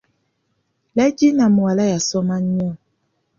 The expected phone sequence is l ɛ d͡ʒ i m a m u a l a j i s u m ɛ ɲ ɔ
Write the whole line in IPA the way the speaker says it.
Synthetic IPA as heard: l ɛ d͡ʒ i n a m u a l a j a s ɔ m a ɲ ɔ